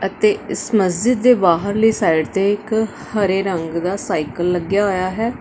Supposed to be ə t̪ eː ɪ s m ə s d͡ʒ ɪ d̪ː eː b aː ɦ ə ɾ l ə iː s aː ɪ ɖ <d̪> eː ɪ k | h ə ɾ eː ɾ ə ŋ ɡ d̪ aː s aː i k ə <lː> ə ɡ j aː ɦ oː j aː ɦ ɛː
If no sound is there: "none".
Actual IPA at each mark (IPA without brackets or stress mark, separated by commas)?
t̪, lː